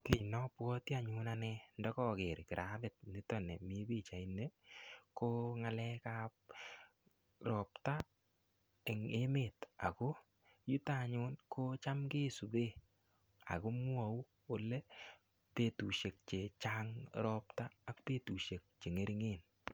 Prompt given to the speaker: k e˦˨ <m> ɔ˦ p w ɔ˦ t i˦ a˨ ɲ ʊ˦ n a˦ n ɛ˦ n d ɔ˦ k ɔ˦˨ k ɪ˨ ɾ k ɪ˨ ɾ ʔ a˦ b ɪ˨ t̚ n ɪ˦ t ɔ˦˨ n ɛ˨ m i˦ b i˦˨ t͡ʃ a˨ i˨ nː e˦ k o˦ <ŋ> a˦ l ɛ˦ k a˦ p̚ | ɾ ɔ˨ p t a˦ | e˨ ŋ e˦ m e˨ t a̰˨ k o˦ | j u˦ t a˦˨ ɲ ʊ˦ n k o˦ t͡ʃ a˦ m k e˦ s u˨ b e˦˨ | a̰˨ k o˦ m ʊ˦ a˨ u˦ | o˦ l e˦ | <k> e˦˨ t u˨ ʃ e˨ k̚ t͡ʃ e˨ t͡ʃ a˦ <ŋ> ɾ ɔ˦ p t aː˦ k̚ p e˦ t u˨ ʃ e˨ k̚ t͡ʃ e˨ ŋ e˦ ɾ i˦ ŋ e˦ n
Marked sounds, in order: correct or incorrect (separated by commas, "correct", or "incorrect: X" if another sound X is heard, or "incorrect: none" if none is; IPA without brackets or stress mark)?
incorrect: n, correct, incorrect: p, correct